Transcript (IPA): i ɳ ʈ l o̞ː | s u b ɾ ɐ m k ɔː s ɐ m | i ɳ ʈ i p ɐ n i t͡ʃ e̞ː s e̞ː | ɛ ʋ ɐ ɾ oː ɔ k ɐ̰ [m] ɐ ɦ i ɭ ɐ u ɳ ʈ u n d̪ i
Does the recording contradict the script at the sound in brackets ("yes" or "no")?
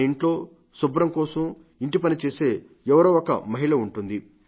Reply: no